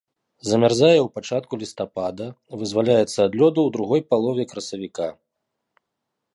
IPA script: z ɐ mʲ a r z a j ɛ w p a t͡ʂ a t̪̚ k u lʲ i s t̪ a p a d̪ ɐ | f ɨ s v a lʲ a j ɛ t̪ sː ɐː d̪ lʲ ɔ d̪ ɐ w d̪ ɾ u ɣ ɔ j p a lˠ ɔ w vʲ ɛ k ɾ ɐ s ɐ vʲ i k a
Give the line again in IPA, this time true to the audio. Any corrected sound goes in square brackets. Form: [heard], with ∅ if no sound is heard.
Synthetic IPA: z ɐ mʲ a r z a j ɛ w p a t͡ʂ a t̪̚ k u lʲ i s t̪ a p a d̪ ɐ | [v] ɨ [z] v a lʲ a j ɛ t̪ sː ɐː d̪ lʲ ɔ d̪ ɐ w d̪ ɾ u ɣ ɔ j p a lˠ ɔ [∅] vʲ ɛ k ɾ ɐ s ɐ vʲ i k a

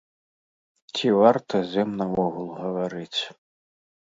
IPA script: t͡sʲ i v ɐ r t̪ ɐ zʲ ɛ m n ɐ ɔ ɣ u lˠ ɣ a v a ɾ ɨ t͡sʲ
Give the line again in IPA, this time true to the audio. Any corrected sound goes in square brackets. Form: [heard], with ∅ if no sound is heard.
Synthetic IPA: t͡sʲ i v [a] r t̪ ɐ zʲ ɛ m n ɐ ɔ ɣ u lˠ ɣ [ɐ] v a ɾ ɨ t͡sʲ

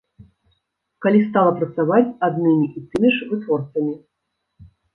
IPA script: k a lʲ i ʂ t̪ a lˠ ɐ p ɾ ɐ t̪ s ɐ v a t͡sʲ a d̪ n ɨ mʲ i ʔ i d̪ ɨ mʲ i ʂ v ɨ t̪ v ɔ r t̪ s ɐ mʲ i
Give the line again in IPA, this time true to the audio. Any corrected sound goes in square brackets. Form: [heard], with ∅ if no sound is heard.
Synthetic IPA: k a lʲ i [s] t̪ a lˠ ɐ p ɾ ɐ t̪ s [a] v a t͡sʲ a d̪ n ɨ mʲ i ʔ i [t̪] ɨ mʲ i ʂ v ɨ t̪ v ɔ r t̪ s ɐ mʲ i

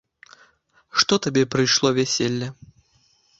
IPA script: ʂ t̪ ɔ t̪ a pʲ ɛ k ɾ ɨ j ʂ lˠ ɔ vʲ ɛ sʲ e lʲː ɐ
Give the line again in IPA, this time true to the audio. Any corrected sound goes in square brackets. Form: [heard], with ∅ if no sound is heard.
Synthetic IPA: ʂ t̪ ɔ t̪ a [bʲ] ɛ [p] ɾ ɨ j ʂ lˠ ɔ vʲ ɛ sʲ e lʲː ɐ

